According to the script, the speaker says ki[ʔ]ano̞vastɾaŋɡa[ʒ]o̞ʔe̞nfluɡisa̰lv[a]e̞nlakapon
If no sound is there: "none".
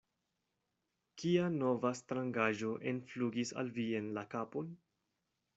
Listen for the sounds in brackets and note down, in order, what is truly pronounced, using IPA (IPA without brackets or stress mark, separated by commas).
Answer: none, ʒ, i